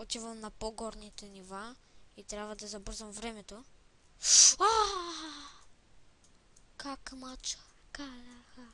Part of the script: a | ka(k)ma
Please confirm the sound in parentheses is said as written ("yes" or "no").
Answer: yes